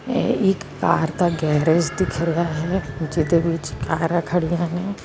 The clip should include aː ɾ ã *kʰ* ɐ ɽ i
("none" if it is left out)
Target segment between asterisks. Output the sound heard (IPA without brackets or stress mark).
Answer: kʰ